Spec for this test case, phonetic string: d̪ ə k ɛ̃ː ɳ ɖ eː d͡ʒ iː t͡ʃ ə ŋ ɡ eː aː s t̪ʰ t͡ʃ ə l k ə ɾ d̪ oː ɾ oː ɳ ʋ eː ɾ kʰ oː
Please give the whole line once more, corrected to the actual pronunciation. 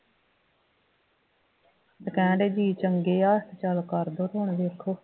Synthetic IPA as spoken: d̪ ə k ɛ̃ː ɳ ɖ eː d͡ʒ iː t͡ʃ ə ŋ ɡ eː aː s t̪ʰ t͡ʃ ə l k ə ɾ d̪ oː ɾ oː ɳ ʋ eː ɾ kʰ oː